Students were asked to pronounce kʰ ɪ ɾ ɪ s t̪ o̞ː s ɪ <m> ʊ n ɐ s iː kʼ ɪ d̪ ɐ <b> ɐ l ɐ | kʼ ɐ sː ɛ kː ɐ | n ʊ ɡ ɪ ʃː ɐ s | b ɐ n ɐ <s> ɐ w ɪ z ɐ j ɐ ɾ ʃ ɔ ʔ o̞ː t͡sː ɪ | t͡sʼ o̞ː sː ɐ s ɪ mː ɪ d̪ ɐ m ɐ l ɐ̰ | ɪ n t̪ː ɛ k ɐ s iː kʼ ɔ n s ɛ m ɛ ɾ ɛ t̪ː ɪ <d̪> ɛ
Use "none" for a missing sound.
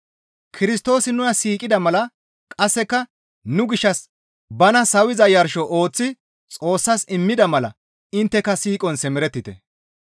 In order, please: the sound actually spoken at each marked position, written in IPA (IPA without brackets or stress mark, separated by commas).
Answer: n, m, s, t̪